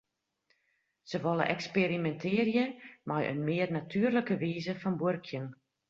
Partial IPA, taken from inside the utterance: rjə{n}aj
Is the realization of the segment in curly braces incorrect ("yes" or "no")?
yes